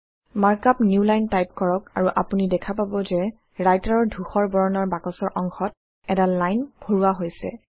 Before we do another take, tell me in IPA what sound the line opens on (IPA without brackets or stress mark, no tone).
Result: m